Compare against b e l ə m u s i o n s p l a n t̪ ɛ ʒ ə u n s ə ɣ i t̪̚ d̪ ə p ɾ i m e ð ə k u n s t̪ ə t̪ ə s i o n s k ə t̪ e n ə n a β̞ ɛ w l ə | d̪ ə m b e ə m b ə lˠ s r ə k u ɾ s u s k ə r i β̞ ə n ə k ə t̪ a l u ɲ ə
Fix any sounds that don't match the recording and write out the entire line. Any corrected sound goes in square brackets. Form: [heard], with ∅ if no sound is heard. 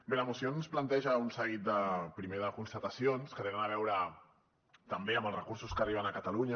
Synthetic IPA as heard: b e l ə m u s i o n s p l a n t̪ ɛ ʒ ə u n s ə ɣ i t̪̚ d̪ ə p ɾ i m e ð ə k u n s t̪ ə t̪ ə s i o n s k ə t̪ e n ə n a β̞ ɛ w [ɾ] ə | [t̪] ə m b e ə m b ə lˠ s r ə k u ɾ s u s k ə r i β̞ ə n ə k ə t̪ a l u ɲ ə